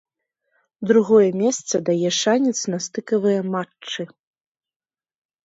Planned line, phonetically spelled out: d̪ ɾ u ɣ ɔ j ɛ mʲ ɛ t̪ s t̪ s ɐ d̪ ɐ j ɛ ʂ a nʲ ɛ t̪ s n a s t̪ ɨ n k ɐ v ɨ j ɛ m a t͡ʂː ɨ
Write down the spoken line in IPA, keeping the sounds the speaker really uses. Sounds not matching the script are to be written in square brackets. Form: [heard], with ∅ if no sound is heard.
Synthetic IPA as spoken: d̪ ɾ u ɣ ɔ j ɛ mʲ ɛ [∅] s t̪ s ɐ d̪ [a] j ɛ ʂ a nʲ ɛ t̪ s n a s t̪ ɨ [∅] k ɐ v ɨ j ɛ m a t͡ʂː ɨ